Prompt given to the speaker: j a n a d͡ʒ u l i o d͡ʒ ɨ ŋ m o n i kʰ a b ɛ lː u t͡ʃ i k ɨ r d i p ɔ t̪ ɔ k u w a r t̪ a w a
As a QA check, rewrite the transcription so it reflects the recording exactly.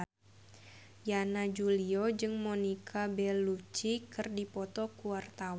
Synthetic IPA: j a n a d͡ʒ u l i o d͡ʒ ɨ ŋ m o n i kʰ a b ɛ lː u t͡ʃ i k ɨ r d i p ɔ t̪ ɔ k u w a r t̪ a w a